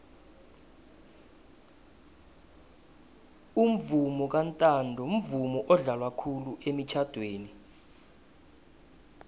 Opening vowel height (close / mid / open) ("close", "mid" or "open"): close